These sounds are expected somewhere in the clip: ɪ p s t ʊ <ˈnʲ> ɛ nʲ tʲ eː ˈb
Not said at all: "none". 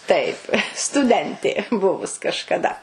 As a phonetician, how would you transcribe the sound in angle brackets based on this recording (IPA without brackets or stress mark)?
dʲ